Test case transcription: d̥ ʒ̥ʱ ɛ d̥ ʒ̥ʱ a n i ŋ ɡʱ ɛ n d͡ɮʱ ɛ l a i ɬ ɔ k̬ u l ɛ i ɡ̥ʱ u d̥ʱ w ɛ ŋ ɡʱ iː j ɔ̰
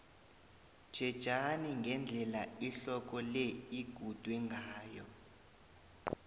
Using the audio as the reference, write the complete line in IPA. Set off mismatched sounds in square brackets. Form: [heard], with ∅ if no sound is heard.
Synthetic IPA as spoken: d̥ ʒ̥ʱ ɛ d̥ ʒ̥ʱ a n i ŋ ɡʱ ɛ n d͡ɮʱ ɛ l a i ɬ ɔ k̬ [ɔ] l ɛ i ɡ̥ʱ u d̥ʱ w ɛ ŋ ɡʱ [aː] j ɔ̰